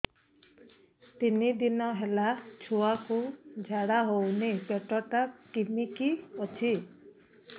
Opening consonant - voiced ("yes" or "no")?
no